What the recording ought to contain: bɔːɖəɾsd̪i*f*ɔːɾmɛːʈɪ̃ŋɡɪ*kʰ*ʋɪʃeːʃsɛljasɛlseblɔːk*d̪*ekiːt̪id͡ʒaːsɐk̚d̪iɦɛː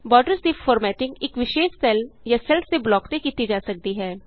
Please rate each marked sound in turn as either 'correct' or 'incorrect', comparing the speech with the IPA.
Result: correct, incorrect, incorrect

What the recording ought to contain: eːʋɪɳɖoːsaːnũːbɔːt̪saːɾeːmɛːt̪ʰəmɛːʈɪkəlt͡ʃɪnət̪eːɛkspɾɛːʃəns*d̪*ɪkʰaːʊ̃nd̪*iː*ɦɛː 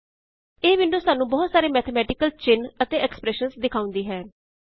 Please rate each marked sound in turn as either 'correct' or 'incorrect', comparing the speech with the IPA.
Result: correct, correct

